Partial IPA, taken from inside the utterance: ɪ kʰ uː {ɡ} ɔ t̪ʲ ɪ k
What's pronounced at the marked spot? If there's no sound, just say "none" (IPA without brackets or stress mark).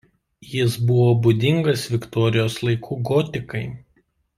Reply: ɡ